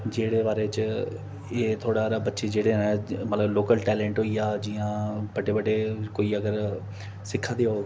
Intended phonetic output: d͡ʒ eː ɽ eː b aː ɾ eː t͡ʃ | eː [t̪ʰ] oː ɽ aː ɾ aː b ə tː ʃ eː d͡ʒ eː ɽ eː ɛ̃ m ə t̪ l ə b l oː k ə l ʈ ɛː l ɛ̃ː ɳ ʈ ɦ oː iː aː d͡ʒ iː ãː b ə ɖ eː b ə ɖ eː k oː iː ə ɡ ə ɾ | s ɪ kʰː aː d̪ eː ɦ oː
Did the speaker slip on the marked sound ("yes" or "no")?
no